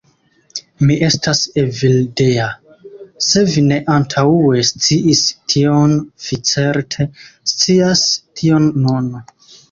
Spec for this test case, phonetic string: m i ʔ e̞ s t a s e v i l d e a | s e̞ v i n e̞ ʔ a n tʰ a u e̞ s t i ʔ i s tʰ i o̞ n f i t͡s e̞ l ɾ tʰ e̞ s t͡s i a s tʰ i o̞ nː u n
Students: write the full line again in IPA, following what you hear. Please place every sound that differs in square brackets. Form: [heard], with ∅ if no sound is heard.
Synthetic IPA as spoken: m i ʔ e̞ s t a s e v i l d e a | s e̞ v i n e̞ ʔ a n tʰ a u e̞ s [t͡s] i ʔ i s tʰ i o̞ n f i t͡s e̞ [∅] ɾ tʰ e̞ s t͡s i a s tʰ i o̞ nː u n